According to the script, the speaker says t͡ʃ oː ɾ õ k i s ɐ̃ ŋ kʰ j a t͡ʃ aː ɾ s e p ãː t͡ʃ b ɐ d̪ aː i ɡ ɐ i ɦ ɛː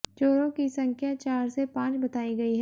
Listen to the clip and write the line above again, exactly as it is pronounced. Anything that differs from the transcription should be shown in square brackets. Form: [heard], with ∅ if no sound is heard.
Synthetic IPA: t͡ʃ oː ɾ õ k i s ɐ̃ ŋ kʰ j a t͡ʃ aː ɾ s e p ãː t͡ʃ b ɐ [t̪] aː i ɡ ɐ i ɦ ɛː